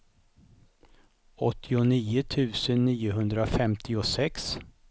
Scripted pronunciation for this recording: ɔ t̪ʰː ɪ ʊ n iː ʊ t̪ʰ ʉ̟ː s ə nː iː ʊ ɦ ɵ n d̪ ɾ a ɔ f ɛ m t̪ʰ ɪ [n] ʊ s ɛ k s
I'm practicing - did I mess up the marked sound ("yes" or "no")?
yes